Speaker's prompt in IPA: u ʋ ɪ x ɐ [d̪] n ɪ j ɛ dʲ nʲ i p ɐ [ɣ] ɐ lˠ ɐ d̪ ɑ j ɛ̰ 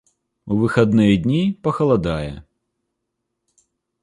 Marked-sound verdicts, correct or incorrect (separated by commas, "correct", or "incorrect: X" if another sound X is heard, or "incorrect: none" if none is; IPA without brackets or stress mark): correct, incorrect: x